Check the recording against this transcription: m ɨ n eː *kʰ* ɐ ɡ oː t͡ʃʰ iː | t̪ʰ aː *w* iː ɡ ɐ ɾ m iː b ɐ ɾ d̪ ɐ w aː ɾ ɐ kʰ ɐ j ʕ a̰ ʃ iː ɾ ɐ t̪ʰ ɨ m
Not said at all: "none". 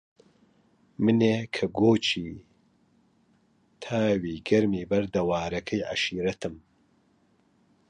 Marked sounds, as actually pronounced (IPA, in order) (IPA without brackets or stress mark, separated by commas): kʰ, w